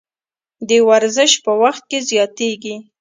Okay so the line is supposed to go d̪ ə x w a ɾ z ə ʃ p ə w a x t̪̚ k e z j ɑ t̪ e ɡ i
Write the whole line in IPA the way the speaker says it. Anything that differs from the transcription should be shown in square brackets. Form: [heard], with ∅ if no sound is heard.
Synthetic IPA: d̪ ə [∅] w a ɾ z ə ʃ p ə w a x t̪̚ k e z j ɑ t̪ e ɡ i